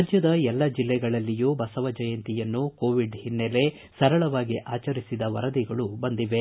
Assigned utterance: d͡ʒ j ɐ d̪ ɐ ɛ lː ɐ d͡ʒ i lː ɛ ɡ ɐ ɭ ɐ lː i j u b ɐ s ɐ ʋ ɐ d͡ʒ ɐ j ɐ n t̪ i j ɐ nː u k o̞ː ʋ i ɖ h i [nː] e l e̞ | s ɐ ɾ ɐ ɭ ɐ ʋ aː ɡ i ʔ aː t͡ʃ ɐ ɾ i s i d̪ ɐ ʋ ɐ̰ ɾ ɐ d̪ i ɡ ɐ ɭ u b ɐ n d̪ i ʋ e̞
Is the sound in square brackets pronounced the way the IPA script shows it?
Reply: yes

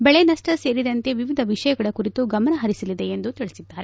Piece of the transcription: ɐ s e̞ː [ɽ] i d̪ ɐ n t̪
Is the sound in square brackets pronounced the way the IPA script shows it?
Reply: no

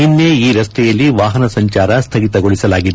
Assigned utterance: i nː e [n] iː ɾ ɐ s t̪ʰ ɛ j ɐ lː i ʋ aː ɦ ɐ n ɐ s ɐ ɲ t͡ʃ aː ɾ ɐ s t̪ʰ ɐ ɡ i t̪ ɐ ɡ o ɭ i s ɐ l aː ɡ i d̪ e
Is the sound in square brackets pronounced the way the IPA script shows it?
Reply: no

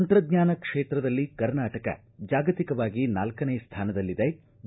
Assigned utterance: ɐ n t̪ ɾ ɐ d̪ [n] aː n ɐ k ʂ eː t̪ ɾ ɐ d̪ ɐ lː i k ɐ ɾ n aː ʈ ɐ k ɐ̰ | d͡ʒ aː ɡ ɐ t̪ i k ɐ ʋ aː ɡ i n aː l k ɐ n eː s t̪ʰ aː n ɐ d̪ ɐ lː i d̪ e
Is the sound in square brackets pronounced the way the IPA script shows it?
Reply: no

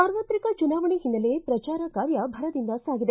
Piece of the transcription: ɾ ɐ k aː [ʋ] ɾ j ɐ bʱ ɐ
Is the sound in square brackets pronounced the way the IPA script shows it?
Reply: no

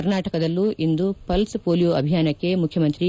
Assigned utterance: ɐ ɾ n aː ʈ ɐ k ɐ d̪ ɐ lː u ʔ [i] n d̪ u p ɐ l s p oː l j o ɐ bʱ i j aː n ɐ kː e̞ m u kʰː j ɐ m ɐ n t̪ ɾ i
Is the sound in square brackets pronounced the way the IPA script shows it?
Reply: yes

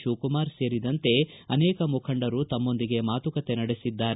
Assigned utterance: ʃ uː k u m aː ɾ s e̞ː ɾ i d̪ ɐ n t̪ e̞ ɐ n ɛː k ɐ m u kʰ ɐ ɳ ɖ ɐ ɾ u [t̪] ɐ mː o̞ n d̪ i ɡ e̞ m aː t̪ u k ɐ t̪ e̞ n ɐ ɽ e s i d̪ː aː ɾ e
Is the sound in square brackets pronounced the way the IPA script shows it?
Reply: yes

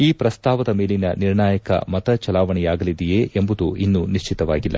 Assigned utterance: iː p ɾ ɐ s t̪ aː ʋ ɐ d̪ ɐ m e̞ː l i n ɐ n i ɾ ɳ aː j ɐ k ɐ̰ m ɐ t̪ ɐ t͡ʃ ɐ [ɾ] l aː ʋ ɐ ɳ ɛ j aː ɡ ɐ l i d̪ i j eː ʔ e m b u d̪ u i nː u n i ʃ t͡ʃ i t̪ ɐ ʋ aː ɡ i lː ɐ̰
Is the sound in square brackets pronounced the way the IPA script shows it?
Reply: no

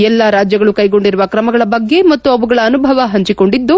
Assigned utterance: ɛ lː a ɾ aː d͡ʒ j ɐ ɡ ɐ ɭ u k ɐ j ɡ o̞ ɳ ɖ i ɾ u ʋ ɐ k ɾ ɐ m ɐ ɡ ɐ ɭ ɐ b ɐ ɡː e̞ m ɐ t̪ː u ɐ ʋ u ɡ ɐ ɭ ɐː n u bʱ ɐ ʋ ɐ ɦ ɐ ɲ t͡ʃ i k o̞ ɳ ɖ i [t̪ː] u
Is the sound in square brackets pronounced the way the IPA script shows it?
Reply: no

